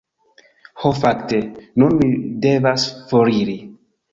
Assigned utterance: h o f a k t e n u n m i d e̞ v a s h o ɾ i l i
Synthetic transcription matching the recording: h o f a k t e n u n m i d e̞ v a s f o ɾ i ɾ i